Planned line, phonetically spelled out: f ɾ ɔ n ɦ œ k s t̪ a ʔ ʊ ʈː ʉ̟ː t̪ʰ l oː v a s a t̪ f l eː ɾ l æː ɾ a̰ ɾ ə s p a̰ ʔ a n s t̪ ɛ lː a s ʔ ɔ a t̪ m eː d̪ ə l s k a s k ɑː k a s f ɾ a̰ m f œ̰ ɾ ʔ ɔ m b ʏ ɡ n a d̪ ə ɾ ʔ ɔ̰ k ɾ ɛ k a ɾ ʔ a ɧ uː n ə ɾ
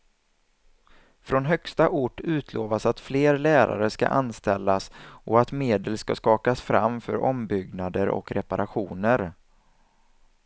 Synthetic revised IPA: f ɾ ɔ n ɦ œ k s t̪ a ʔ ʊ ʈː ʉ̟ː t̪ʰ l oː v a s a t̪ f l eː ɾ l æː ɾ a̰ ɾ ə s k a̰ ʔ a n s t̪ ɛ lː a s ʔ ɔ a t̪ m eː d̪ ə l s k a s k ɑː k a s f ɾ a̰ m f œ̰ ɾ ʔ ɔ m b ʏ ɡ n a d̪ ə ɾ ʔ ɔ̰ k ɾ ɛ p a ɾ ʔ a ɧ uː n ə ɾ